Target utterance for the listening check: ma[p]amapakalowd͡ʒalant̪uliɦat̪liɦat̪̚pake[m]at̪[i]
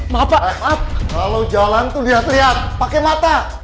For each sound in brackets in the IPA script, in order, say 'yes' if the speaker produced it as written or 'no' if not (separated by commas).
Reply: yes, yes, no